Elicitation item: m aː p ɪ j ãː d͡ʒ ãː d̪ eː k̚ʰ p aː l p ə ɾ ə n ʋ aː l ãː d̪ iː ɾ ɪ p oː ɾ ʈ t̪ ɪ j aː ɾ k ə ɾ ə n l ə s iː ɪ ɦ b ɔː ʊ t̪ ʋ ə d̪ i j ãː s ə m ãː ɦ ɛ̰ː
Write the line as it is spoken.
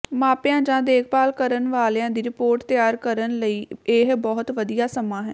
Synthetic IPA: m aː p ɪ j ãː d͡ʒ ãː d̪ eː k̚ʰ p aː l k ə ɾ ə n ʋ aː l ãː d̪ iː ɾ ɪ p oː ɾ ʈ t̪ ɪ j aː ɾ k ə ɾ ə n l ə iː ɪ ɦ b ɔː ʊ t̪ ʋ ə d̪ i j aː s ə m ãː ɦ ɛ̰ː